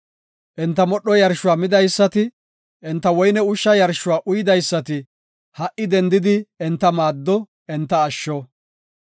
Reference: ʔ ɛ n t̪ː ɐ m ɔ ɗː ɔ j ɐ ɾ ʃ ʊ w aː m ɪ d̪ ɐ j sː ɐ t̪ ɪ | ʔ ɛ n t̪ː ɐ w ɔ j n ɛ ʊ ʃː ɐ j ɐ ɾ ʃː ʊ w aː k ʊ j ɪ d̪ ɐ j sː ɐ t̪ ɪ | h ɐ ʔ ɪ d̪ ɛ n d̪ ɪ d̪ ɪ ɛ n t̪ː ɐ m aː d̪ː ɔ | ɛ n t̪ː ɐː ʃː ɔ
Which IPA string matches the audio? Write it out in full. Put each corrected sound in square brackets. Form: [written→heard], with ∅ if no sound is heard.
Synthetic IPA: ʔ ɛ n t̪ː ɐ m ɔ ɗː ɔ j ɐ ɾ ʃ ʊ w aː m ɪ d̪ ɐ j sː ɐ t̪ ɪ | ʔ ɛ n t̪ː ɐ w ɔ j n ɛ ʊ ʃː ɐ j ɐ ɾ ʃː ʊ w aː [k→ʔ] ʊ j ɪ d̪ ɐ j sː ɐ t̪ ɪ | h ɐ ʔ ɪ d̪ ɛ n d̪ ɪ d̪ ɪ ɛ n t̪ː ɐ m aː d̪ː ɔ | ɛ n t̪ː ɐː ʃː ɔ